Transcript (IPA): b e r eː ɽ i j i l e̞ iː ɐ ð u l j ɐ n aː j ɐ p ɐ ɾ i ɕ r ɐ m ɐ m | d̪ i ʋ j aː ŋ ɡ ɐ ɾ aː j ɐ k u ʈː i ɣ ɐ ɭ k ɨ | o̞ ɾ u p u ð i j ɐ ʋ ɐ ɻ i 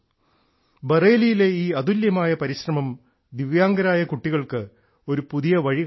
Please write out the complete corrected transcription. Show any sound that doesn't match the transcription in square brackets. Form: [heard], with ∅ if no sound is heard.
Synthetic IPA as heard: b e r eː [l] i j i l e̞ iː ɐ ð u l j ɐ [m] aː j ɐ p ɐ ɾ i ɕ r ɐ m ɐ m | d̪ i ʋ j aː ŋ ɡ ɐ ɾ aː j ɐ k u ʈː i ɣ ɐ ɭ k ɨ | o̞ ɾ u p u ð i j ɐ ʋ ɐ ɻ i